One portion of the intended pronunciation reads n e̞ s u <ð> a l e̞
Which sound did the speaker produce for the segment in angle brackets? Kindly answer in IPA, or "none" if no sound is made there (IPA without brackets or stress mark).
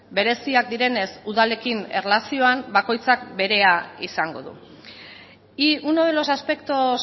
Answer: ð